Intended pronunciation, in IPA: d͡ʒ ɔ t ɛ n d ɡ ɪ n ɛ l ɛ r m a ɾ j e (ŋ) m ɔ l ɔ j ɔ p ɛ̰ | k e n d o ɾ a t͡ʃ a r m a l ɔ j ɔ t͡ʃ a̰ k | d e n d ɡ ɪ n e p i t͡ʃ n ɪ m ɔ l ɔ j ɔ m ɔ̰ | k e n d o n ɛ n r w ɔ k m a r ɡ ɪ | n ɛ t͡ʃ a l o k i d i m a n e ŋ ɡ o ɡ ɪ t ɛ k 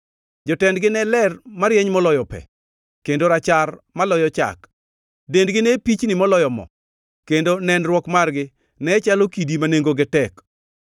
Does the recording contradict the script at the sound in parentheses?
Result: yes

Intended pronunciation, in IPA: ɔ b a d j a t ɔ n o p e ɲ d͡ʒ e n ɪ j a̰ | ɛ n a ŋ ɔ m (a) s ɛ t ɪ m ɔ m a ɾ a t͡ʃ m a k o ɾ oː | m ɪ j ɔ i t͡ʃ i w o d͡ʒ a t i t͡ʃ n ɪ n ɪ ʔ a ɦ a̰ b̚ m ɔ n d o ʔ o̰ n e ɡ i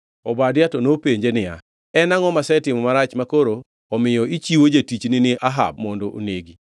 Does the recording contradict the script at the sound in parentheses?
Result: no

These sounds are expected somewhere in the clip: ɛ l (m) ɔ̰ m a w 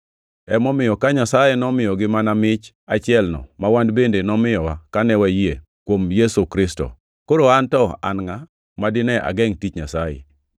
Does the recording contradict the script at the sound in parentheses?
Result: yes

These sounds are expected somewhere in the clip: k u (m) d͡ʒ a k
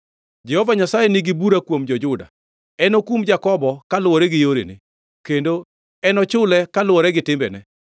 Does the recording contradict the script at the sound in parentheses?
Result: no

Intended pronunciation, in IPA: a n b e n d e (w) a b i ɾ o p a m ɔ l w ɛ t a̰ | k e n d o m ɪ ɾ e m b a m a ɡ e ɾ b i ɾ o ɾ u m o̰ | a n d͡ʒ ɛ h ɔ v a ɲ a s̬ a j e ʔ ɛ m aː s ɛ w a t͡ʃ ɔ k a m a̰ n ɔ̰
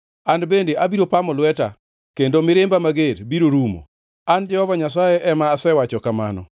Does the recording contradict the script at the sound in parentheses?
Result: yes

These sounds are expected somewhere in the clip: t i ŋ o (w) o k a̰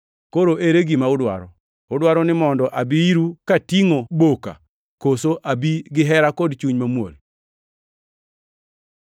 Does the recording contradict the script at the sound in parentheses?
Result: yes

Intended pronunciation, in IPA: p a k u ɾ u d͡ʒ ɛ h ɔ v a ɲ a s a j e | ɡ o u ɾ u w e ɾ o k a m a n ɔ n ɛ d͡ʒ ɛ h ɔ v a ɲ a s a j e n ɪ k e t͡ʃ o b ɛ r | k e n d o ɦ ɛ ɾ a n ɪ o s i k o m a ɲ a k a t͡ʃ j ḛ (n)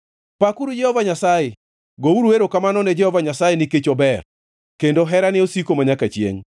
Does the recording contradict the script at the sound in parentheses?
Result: yes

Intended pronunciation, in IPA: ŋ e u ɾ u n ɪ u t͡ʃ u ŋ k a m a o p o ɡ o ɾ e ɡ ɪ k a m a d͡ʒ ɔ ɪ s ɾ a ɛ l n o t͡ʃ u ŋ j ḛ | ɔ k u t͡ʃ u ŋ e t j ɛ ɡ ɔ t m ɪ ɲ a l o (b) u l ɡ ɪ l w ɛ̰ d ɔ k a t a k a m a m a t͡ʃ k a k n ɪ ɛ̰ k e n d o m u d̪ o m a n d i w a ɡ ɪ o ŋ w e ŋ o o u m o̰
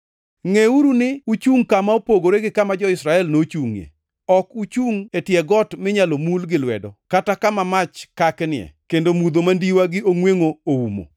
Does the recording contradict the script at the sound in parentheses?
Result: yes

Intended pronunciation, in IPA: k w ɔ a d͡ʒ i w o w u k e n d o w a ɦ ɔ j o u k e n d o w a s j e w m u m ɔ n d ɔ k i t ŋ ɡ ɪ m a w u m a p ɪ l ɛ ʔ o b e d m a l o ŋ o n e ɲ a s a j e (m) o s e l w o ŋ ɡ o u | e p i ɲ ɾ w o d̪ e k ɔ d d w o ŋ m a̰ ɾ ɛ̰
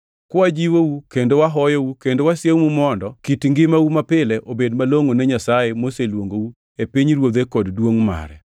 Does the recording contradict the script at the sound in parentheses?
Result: no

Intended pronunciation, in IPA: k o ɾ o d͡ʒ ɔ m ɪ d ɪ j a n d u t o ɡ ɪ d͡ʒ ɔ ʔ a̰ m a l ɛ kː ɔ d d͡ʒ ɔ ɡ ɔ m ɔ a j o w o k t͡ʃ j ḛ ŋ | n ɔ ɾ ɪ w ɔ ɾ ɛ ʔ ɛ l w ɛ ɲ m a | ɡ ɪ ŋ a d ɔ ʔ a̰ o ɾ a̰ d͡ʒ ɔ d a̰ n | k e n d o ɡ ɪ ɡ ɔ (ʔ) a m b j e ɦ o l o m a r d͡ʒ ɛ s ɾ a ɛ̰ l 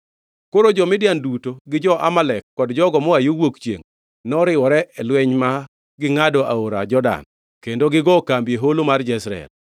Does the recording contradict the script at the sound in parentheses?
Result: yes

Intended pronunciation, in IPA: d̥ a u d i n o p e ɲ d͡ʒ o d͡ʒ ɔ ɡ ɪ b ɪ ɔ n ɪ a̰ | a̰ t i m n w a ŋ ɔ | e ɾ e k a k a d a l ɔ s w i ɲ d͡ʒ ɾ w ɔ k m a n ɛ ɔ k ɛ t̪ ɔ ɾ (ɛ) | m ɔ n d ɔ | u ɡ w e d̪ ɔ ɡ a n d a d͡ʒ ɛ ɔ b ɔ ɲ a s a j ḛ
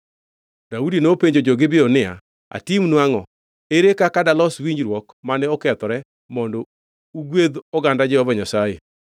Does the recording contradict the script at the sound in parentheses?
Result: no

